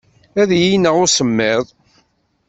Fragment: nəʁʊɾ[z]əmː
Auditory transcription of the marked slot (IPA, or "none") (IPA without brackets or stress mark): s